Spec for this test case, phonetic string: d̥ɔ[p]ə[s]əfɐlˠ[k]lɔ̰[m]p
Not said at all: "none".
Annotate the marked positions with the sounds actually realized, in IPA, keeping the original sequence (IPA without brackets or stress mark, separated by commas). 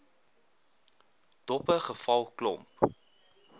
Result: p, χ, k, m